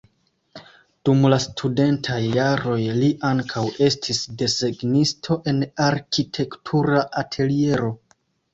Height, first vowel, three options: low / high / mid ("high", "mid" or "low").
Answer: high